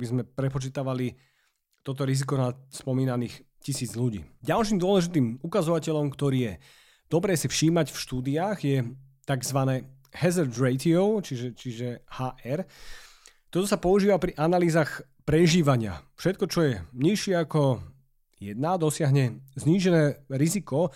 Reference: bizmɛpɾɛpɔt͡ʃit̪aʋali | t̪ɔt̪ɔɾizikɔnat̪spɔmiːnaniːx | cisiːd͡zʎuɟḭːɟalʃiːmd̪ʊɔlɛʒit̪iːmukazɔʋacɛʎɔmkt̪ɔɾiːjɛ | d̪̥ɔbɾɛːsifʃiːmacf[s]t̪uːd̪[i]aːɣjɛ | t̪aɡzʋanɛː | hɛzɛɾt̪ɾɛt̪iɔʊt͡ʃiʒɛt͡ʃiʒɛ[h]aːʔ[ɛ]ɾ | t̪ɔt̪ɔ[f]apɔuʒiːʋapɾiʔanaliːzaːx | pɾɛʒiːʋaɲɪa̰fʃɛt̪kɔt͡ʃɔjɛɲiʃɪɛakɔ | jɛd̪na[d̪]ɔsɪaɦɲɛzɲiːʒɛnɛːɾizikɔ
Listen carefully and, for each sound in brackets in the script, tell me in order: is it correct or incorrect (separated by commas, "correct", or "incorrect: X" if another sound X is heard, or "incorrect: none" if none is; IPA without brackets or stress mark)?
incorrect: ʃ, correct, correct, correct, incorrect: s, correct